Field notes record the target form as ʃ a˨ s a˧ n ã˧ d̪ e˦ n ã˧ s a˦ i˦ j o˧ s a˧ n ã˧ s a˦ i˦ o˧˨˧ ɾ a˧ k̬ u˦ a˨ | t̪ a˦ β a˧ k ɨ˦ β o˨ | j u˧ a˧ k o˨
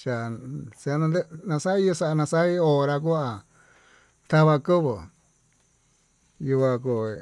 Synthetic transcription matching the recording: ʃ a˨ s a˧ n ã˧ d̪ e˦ n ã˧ s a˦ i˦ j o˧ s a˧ n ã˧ s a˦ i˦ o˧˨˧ ɾ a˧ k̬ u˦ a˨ | t̪ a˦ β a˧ k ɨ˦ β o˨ | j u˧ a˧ k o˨

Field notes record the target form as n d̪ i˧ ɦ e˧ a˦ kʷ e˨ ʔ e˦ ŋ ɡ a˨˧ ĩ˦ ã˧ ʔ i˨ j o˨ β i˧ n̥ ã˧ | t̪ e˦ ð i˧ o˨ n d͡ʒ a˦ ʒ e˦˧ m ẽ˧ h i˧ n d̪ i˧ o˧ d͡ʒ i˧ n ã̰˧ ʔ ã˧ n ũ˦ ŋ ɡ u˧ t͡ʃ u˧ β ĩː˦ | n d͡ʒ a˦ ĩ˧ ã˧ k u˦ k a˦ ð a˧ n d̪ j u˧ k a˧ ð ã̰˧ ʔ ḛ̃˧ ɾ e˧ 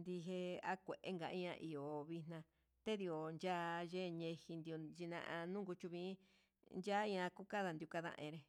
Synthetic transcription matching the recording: n d̪ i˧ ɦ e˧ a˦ kʷ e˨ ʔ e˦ ŋ ɡ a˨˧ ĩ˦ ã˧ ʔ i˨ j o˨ β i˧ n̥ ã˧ | t̪ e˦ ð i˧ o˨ n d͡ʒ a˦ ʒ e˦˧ ɲ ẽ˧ h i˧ n d̪ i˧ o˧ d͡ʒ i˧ n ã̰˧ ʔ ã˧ n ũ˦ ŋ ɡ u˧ t͡ʃ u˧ β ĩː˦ | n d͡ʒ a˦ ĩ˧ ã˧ k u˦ k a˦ ð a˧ n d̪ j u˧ k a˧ ð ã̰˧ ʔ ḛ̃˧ ɾ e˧

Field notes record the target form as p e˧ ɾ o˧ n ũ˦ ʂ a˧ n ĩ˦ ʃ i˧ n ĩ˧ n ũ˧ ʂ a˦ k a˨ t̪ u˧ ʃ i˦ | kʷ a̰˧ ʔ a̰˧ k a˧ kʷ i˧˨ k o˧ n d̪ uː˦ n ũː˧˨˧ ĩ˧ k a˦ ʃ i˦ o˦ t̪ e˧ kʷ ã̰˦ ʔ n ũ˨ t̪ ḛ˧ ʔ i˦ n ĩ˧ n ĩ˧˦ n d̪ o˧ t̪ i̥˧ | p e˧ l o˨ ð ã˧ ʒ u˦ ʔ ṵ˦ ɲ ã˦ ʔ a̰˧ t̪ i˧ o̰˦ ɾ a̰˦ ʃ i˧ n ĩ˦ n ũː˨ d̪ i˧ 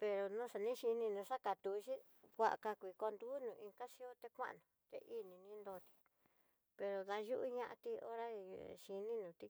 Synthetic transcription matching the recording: p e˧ ɾ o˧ n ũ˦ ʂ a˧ n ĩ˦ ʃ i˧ n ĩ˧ n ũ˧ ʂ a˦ k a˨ t̪ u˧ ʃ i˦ | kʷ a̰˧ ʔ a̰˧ k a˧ kʷ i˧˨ k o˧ n d̪ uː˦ n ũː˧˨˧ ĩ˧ k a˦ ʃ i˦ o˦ t̪ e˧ kʷ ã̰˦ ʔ n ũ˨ t̪ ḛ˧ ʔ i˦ n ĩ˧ n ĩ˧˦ n d̪ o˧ t̪ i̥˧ | p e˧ ɾ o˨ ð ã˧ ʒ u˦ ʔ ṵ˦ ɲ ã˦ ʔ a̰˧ t̪ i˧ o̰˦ ɾ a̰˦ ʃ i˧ n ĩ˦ n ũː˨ t̪ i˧

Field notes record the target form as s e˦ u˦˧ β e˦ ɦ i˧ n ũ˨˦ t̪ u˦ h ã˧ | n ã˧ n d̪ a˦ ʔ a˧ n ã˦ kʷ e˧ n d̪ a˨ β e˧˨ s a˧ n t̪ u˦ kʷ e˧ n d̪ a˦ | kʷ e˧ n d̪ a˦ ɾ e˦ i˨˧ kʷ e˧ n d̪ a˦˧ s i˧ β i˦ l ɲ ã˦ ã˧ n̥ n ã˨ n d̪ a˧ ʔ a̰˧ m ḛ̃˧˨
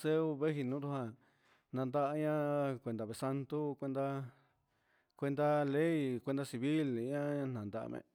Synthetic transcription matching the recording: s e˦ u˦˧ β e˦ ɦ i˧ n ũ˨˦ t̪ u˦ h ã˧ | n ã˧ n d̪ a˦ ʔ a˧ ɲ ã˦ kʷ e˧ n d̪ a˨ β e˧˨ s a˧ n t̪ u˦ kʷ e˧ n d̪ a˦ | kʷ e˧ n d̪ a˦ l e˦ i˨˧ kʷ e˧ n d̪ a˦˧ s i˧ β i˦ l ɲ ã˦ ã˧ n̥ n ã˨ n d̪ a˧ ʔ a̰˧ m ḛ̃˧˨

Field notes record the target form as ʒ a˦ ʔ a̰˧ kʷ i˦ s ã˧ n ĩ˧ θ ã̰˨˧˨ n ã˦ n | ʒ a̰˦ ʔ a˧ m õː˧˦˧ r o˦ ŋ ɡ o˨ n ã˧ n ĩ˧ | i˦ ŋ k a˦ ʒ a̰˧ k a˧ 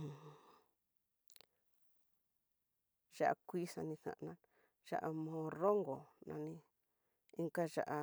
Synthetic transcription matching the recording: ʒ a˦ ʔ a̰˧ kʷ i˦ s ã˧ n ĩ˧ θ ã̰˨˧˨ n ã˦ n | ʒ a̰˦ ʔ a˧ m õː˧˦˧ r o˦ ŋ ɡ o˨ n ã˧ n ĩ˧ | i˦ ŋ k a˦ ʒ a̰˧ ʔ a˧

